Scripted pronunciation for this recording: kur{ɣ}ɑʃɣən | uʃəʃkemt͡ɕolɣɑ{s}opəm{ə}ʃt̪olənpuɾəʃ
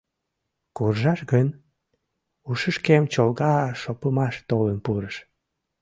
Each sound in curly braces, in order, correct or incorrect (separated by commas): incorrect, incorrect, incorrect